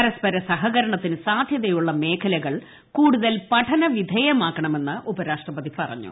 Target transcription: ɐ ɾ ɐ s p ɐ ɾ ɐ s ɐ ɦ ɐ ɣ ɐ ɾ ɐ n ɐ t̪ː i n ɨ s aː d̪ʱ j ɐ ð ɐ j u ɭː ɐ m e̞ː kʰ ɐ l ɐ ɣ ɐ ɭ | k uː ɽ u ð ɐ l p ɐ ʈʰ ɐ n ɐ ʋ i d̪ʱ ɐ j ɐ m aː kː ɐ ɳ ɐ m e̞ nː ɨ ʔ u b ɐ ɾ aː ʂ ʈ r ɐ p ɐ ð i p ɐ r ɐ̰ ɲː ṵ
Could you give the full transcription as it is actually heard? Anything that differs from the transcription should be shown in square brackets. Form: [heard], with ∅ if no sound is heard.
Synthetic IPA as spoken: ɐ ɾ ɐ s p ɐ ɾ ɐ s ɐ ɦ ɐ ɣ ɐ ɾ ɐ [ɳ] ɐ t̪ː i n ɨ s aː d̪ʱ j ɐ ð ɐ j u ɭː ɐ m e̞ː kʰ ɐ l ɐ ɣ ɐ ɭ | k uː ɽ u ð ɐ l p ɐ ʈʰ ɐ n ɐ ʋ i d̪ʱ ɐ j ɐ m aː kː ɐ ɳ ɐ m e̞ nː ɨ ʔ u b ɐ ɾ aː ʂ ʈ r ɐ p ɐ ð i p ɐ r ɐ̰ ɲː ṵ